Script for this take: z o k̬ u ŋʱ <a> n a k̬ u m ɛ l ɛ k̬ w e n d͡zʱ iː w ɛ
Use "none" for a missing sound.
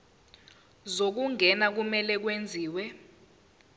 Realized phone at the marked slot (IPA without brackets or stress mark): ɛ